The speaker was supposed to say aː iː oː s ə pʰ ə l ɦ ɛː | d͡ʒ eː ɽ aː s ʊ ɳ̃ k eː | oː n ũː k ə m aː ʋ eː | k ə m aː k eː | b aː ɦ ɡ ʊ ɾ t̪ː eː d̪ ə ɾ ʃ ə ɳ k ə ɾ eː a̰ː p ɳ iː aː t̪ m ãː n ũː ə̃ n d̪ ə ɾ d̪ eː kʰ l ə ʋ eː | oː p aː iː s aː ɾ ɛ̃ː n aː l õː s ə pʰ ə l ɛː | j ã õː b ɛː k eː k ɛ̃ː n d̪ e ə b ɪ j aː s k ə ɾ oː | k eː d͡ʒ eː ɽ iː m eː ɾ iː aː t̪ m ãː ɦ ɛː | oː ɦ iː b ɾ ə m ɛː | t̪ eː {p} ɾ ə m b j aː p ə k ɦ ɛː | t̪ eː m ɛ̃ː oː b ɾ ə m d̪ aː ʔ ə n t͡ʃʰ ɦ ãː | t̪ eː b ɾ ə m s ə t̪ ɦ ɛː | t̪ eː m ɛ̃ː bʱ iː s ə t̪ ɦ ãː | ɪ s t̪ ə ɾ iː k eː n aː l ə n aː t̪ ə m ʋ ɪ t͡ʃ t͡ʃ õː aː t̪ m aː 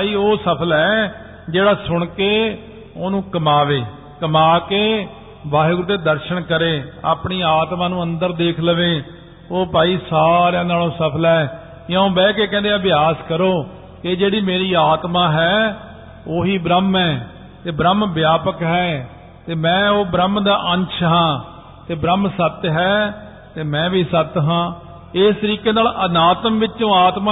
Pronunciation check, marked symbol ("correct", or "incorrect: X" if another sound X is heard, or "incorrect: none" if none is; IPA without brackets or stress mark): incorrect: b